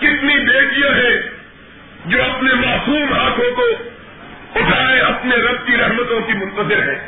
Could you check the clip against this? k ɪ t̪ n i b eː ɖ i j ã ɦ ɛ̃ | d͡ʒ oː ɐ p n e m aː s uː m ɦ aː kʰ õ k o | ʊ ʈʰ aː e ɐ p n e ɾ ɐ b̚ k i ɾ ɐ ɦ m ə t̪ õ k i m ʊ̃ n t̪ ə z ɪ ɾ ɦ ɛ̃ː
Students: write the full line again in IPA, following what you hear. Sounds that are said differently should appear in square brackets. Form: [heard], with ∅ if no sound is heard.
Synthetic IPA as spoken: k ɪ t̪ n i b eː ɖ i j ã ɦ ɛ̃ | d͡ʒ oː ɐ p n e m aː s uː m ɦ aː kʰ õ k o | ʊ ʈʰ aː e ɐ p n e ɾ ɐ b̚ k i ɾ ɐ ɦ m ə t̪ õ k i m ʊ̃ n t̪ ə z ɪ ɾ ɦ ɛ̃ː